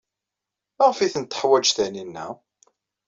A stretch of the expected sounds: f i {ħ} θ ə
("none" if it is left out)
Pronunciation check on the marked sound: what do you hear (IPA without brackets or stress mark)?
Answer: none